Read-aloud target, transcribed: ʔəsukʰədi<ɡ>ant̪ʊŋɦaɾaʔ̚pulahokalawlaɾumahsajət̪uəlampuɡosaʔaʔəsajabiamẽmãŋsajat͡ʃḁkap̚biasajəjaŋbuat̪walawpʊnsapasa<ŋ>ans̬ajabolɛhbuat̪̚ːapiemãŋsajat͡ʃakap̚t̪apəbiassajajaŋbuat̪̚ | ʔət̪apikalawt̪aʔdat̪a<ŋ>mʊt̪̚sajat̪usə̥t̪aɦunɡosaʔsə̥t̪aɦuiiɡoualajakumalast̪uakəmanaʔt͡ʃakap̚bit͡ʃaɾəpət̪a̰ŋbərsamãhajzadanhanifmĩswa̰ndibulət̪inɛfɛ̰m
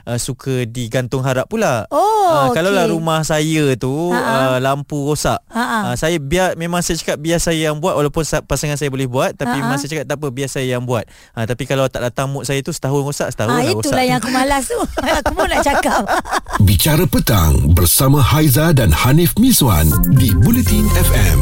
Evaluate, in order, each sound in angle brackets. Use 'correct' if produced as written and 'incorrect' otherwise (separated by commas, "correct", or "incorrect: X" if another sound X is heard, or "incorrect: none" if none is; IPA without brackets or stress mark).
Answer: correct, correct, correct